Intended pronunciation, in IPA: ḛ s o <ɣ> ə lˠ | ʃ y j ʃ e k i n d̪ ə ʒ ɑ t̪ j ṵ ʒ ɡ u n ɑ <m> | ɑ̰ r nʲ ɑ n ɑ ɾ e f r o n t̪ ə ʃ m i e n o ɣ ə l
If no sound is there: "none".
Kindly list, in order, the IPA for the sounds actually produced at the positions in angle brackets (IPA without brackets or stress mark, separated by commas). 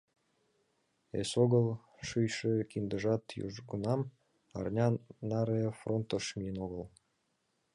ɣ, m